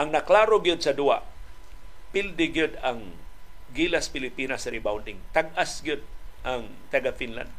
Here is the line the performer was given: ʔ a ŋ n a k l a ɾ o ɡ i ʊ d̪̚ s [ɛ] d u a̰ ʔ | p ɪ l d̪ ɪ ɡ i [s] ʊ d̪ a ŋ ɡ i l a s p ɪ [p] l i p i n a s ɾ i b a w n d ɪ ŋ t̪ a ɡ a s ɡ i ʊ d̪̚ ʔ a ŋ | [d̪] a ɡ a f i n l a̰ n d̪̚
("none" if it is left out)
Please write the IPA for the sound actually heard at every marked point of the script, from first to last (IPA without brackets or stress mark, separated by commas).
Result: a, none, none, t̪